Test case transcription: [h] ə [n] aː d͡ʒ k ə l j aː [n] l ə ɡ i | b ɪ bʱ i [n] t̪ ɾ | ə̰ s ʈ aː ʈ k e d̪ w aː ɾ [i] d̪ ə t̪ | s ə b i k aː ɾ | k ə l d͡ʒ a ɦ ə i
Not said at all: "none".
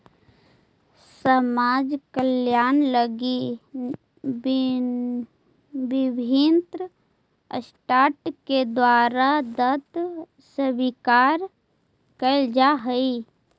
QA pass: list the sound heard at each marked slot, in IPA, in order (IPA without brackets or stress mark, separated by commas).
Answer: s, m, n, n, a